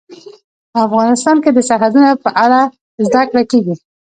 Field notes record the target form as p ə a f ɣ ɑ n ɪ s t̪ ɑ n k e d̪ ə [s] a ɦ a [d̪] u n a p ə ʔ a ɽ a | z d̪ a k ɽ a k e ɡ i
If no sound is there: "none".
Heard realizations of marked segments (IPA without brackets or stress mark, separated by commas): s, d̪